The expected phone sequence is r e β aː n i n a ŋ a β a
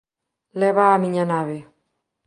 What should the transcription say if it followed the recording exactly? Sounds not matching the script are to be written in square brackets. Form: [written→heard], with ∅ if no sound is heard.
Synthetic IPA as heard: [r→l] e β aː [n→m] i [n→ɲ] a [ŋ→n] a β [a→e]